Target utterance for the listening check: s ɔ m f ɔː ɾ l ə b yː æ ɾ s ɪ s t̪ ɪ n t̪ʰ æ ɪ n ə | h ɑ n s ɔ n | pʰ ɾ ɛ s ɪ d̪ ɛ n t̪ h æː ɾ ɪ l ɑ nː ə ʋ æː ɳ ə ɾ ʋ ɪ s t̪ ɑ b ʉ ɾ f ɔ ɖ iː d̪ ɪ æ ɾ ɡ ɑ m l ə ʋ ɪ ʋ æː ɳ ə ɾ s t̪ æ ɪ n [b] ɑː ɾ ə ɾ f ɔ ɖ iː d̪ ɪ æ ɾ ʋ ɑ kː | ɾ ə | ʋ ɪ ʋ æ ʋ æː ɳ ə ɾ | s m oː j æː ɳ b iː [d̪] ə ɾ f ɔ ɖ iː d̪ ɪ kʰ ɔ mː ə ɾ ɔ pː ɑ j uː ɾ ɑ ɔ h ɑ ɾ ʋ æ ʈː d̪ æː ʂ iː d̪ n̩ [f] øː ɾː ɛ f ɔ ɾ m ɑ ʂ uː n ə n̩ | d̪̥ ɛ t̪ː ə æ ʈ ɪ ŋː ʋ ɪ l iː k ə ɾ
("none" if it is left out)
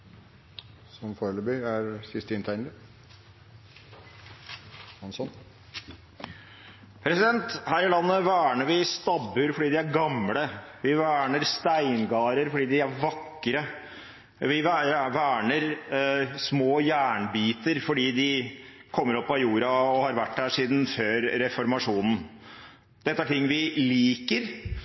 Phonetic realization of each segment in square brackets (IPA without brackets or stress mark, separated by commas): ɡ, t̪, f